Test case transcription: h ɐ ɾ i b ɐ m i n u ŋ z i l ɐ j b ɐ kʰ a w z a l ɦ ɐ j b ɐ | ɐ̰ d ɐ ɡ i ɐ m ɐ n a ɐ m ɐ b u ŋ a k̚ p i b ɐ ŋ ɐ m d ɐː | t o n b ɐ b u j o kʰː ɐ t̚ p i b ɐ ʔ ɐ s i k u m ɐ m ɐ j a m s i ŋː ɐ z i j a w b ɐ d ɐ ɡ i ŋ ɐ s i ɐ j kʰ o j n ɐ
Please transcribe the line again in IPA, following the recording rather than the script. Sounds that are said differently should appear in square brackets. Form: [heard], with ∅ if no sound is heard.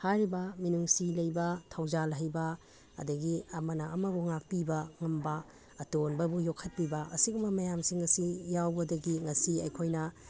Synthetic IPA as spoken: h [a] ɾ i b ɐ m i n u ŋ [s] i l ɐ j b ɐ [tʰ] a w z a l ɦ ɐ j b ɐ | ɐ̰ d ɐ ɡ i ɐ m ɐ n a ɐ m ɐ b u ŋ a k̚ p i b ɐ ŋ ɐ m [b] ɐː | t o n b ɐ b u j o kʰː ɐ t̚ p i b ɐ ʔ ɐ s i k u m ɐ m ɐ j a m s i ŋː ɐ [s] i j a w b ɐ d ɐ ɡ i ŋ ɐ s i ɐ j kʰ o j n ɐ